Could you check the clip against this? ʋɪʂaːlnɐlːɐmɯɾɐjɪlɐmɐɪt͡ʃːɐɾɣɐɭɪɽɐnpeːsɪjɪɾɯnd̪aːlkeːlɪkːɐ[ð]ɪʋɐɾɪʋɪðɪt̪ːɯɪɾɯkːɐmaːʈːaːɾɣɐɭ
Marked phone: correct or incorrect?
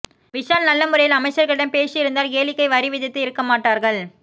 incorrect